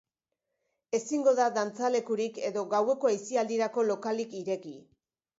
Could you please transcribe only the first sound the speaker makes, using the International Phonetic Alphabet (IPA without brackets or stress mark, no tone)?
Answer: e̞